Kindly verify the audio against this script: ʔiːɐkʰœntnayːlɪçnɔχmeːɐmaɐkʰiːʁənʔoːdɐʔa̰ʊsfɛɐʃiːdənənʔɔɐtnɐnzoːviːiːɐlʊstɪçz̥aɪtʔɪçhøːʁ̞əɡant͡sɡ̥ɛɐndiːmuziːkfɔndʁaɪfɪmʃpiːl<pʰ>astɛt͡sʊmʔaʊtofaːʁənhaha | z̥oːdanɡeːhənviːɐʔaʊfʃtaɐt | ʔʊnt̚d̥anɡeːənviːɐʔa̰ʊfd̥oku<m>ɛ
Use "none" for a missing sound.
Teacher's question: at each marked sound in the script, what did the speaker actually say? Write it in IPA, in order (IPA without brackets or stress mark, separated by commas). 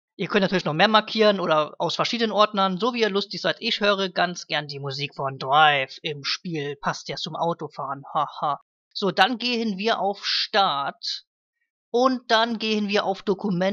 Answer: pʰ, m